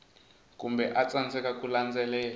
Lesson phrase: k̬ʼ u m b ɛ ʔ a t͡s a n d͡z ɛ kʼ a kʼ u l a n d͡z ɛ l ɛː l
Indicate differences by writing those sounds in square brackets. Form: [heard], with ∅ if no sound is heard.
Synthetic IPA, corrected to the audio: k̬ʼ u m b ɛ ʔ a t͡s a n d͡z ɛ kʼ a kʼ u l a n d͡z ɛ l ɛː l